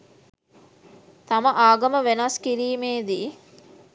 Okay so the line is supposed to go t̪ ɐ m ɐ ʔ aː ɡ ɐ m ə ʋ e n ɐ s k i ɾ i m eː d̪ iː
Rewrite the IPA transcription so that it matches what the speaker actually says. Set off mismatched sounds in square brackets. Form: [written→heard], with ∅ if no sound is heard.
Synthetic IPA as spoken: t̪ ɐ m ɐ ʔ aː ɡ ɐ m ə ʋ e n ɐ s k i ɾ [i→iː] m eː d̪ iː